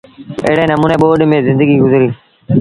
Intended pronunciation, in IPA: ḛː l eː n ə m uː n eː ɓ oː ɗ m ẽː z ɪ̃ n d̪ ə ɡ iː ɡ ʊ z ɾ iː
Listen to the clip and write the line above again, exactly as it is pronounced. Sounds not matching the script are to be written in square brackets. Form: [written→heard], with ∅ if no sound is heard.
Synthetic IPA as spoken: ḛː [l→ɽ] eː n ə m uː n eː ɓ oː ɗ m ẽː z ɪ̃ n d̪ ə ɡ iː ɡ ʊ z ɾ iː